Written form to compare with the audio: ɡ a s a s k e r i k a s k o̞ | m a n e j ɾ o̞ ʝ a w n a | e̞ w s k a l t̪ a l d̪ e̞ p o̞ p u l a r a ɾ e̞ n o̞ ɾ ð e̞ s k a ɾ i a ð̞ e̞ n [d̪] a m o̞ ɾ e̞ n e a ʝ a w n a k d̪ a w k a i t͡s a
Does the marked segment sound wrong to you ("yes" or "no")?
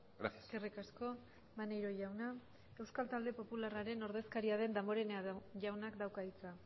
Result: no